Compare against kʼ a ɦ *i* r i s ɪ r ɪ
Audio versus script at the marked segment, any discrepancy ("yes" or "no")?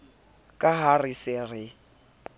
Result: yes